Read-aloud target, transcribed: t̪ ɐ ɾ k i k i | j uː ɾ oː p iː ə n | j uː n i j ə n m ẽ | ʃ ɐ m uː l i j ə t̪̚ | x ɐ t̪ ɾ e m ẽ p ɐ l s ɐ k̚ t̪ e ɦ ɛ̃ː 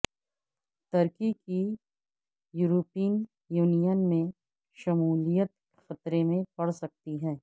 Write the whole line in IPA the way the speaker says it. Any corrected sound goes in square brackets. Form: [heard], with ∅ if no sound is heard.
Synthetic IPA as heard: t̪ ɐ ɾ k i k i | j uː ɾ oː p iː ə n | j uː n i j ə n m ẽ | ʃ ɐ m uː l i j ə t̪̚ | x ɐ t̪ ɾ e m ẽ p ɐ [ɽ] s ɐ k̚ t̪ [i] ɦ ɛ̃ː